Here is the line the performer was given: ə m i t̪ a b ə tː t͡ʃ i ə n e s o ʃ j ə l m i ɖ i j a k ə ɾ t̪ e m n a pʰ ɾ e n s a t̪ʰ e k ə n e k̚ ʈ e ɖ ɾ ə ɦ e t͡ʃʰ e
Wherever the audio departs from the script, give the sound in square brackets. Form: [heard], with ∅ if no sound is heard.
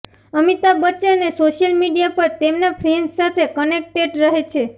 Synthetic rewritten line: ə m i t̪ a b ə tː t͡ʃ [e] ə n e s o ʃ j ə l m i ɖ i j a [p] ə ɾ t̪ e m n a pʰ ɾ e n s a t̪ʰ e k ə n e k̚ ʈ e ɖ ɾ ə ɦ e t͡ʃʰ e